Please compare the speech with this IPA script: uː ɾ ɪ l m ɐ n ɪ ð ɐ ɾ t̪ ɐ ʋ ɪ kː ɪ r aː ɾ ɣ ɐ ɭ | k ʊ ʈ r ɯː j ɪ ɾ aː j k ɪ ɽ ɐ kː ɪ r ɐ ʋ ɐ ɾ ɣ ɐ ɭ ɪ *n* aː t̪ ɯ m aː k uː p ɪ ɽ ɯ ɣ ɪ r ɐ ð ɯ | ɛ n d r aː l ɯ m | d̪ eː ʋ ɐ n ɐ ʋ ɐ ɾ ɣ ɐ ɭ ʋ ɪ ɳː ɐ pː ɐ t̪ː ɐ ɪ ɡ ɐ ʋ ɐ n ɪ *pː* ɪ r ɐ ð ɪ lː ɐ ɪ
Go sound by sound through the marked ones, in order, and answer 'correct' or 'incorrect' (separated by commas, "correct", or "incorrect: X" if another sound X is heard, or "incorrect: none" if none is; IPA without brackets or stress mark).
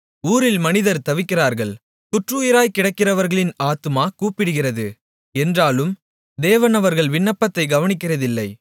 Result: correct, incorrect: kː